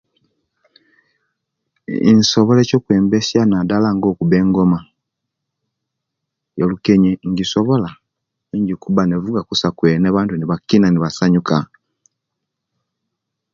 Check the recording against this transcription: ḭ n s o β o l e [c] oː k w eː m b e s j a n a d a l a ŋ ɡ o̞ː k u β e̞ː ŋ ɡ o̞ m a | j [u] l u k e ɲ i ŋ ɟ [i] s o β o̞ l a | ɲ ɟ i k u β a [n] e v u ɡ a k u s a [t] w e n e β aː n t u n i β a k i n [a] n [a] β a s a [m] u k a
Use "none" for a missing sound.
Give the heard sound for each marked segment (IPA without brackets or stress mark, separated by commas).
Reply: c, o, i, n, k, a, i, ɲ